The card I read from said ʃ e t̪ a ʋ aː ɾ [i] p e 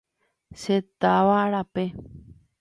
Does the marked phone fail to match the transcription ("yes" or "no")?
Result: yes